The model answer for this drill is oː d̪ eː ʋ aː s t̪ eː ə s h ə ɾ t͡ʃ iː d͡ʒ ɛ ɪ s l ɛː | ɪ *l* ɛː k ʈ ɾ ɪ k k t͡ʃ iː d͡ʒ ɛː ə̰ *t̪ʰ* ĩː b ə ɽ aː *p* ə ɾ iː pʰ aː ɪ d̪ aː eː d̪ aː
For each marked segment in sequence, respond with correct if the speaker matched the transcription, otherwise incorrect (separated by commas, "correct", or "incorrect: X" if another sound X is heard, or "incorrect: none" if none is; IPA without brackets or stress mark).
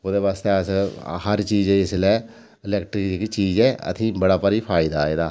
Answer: correct, correct, correct